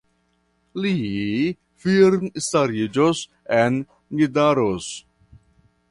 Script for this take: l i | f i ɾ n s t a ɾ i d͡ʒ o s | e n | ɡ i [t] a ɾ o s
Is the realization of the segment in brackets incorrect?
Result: yes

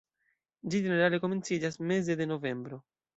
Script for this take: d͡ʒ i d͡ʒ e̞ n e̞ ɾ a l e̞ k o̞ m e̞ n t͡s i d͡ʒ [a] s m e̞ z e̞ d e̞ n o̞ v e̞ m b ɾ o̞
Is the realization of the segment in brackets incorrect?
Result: no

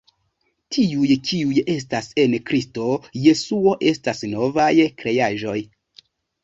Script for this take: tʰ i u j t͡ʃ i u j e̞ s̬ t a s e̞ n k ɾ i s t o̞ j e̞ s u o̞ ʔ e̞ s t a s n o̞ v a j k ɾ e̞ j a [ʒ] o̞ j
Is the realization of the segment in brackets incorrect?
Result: no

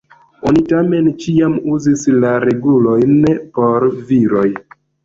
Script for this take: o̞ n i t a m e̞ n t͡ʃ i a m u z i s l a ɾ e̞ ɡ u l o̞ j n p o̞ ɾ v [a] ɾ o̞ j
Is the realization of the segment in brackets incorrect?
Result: yes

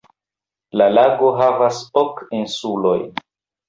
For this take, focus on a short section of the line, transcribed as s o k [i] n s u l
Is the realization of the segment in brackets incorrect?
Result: no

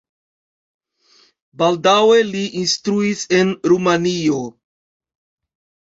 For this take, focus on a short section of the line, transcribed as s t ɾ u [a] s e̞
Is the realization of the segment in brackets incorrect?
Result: yes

